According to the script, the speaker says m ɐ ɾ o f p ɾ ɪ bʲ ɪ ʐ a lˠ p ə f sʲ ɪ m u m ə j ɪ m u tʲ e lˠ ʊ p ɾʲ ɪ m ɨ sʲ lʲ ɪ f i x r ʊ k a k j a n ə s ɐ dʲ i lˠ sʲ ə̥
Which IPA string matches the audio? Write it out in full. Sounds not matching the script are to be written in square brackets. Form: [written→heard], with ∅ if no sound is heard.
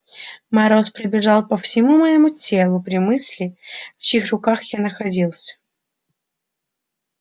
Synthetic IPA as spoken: m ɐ ɾ o [f→s] p ɾ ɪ bʲ ɪ ʐ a lˠ p ə f sʲ ɪ m u m ə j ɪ m u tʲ e lˠ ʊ p ɾʲ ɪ m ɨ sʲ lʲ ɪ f i x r ʊ k a [k→x] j a n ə [s→x] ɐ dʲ i lˠ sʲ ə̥